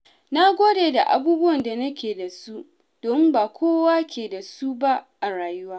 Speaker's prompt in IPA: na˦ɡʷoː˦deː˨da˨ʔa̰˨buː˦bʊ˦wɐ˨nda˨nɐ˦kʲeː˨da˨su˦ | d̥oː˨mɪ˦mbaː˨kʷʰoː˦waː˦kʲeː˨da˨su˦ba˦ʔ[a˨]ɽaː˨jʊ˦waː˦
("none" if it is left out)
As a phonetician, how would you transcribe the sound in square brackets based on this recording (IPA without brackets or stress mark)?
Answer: a˨